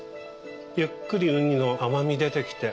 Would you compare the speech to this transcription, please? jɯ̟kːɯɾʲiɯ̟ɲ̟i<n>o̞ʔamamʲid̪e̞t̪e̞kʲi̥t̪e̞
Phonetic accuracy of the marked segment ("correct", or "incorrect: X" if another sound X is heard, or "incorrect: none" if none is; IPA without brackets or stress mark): correct